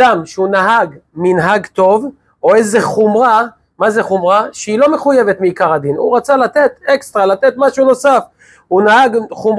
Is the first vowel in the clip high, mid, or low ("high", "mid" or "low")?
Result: low